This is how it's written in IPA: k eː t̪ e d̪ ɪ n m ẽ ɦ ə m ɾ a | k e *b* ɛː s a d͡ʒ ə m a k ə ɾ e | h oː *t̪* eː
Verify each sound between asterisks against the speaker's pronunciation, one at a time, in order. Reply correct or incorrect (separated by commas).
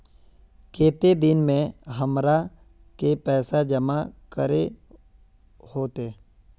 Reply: incorrect, correct